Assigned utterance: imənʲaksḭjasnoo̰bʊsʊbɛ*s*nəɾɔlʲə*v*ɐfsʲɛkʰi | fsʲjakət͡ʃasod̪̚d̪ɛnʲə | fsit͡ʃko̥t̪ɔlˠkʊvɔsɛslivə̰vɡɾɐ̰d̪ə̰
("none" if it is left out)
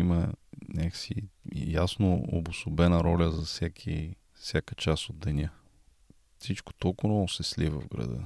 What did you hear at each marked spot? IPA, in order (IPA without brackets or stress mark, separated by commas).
none, z